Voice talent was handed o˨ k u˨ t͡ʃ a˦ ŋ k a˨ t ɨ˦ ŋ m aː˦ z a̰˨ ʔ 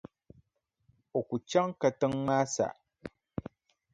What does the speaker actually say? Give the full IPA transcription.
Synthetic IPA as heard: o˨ k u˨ t͡ʃ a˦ ŋ k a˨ t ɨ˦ ŋ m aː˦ s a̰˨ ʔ

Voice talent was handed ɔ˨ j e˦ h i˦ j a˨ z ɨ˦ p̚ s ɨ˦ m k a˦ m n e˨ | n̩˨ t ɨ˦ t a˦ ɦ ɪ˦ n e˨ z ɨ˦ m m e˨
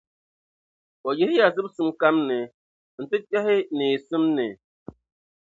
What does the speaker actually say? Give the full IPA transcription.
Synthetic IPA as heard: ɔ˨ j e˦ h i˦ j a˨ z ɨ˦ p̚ s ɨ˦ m k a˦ m n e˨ | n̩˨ t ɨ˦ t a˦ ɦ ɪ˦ n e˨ s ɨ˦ m n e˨

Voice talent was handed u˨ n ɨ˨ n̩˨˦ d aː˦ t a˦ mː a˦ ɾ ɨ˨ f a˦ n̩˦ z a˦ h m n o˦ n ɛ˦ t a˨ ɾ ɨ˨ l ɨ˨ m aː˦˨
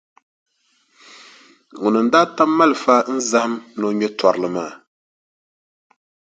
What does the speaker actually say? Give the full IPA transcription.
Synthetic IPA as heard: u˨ n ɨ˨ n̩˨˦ d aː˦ t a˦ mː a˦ l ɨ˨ f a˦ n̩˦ z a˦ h m n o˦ ɲ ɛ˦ t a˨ ɾ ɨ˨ l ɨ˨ m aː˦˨

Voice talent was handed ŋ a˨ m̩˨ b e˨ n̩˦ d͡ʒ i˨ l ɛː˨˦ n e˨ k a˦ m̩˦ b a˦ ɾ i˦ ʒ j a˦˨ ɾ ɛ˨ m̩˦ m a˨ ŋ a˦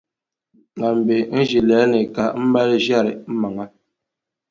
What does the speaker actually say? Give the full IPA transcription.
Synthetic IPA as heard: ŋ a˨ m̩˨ b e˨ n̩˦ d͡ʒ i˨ l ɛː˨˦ n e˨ k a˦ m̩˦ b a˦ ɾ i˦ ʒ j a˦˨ ɾ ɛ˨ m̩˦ m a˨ ŋ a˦

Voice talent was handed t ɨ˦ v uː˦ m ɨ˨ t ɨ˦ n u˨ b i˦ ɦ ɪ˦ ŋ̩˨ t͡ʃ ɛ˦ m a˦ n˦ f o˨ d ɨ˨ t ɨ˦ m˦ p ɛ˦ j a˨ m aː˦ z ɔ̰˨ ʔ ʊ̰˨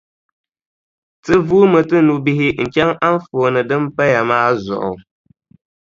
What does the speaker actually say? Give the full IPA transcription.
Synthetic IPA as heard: t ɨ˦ v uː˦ m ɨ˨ t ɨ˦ n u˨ b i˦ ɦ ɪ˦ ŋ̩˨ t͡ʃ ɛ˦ ŋ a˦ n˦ f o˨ n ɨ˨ d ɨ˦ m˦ p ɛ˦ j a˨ m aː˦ z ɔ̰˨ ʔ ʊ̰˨

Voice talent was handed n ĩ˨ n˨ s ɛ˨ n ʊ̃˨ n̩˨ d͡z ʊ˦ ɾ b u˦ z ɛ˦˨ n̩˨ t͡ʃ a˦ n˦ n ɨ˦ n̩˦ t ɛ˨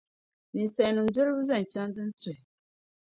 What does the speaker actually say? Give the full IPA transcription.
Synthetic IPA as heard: n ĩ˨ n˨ s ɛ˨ n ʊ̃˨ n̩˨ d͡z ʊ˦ ɾ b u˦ z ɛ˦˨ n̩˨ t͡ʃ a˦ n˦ d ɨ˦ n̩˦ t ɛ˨

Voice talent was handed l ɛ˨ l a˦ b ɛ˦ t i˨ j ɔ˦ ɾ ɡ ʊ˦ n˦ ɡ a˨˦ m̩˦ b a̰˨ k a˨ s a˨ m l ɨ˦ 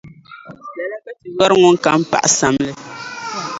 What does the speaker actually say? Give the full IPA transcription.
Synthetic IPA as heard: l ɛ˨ l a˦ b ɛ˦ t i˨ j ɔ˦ ɾ ŋ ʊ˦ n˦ k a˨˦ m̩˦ p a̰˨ ʔ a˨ s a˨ m l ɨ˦

